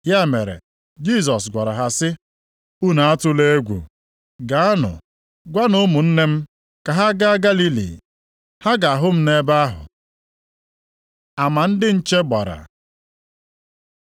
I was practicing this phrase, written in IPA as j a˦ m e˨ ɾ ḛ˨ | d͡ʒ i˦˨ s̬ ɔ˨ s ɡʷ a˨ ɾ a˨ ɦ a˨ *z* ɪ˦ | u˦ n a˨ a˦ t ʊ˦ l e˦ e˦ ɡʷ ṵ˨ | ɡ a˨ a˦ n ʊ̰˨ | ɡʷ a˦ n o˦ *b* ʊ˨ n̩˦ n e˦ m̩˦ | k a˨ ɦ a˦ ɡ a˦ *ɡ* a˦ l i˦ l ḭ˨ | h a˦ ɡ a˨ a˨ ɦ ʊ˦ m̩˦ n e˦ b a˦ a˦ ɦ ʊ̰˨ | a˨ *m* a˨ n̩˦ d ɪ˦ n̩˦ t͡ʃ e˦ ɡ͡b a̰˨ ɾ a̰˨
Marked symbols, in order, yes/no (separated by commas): no, no, yes, yes